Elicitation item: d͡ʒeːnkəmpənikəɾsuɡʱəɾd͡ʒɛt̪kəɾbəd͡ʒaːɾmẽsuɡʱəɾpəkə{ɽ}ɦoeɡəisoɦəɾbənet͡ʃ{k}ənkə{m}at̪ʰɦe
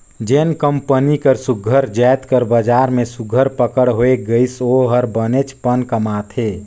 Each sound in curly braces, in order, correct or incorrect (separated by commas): correct, incorrect, correct